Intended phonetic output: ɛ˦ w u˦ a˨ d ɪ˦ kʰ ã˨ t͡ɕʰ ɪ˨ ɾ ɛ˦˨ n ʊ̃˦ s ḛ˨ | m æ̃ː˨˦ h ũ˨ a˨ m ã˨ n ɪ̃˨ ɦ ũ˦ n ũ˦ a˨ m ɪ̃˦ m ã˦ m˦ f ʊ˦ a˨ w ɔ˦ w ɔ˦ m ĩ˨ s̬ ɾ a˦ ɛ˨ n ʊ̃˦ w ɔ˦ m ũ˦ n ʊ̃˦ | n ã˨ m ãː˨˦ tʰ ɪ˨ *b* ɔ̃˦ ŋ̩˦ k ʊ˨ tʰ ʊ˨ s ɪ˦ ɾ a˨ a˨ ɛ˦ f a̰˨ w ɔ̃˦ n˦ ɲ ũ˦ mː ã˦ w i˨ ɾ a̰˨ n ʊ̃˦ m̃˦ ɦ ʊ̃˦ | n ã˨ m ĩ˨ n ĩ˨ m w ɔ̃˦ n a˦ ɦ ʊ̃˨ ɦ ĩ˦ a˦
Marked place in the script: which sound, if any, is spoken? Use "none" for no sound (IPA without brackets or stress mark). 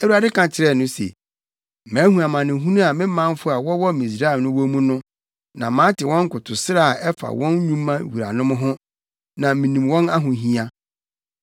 w